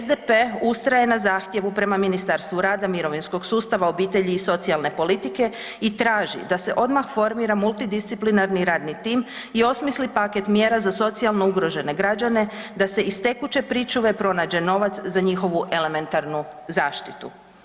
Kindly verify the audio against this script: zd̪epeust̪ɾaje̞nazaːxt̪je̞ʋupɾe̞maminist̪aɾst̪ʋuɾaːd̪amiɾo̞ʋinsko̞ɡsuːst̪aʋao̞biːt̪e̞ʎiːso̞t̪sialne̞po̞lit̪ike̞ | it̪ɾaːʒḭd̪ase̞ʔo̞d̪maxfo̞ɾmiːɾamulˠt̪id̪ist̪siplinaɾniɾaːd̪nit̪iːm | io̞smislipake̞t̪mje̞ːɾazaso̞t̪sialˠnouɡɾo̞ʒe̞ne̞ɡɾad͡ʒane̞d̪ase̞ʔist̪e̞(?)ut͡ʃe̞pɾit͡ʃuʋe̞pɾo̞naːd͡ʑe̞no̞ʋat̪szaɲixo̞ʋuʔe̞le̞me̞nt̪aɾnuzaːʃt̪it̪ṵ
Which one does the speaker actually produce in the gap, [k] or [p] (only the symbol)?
k